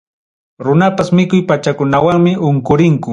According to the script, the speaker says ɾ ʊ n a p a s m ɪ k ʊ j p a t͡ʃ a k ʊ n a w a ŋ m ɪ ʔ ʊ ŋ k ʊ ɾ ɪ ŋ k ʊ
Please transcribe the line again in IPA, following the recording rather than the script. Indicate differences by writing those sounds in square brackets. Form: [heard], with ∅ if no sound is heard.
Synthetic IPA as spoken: ɾ ʊ n a p a s m ɪ k ʊ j p a t͡ʃ a k ʊ n a w a ŋ m ɪ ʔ ʊ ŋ k ʊ ɾ ɪ ŋ k ʊ